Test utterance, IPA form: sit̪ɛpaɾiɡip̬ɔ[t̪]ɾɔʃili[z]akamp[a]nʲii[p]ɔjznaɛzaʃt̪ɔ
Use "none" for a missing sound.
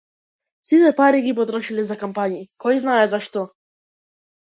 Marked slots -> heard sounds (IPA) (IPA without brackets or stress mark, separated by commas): t̪, z, a, k